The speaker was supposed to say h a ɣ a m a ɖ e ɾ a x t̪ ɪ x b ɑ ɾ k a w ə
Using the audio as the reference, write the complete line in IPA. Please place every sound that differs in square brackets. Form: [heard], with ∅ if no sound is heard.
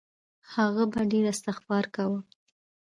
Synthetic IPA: h a ɣ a [b] a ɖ e ɾ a [s] t̪ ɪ x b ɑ ɾ k a w ə